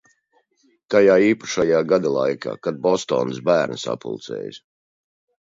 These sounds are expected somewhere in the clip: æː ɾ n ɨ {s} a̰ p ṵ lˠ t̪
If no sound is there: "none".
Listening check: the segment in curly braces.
s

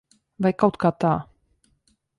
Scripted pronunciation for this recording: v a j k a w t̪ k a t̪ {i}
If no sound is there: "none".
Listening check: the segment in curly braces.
a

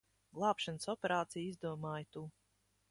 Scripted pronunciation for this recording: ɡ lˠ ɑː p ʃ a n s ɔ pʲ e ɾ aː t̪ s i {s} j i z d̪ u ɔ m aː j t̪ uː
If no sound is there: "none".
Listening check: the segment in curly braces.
none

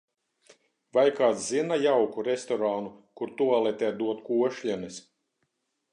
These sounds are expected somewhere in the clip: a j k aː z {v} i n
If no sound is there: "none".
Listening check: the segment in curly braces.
z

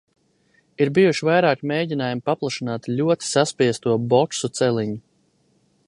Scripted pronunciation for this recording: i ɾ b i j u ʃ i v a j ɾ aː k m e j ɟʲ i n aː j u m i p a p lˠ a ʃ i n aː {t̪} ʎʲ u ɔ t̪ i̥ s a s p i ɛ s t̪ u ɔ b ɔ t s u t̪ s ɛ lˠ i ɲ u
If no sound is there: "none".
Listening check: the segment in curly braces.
t̪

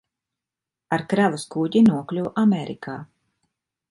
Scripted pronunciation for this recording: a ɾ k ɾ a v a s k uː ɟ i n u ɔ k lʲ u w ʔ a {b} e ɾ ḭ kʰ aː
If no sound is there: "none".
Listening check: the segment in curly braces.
m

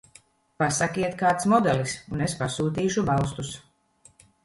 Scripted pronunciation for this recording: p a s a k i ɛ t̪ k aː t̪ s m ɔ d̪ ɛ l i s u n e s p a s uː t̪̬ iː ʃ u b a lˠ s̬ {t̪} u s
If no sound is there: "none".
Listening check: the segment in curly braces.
t̪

